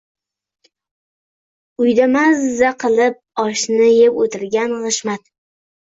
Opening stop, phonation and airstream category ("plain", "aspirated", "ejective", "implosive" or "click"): plain